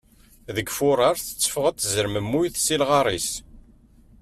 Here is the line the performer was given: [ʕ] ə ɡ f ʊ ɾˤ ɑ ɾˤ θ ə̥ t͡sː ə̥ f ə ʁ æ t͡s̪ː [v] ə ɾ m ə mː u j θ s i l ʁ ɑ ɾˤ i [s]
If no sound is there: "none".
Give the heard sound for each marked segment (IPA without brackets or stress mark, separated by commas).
ð, z, s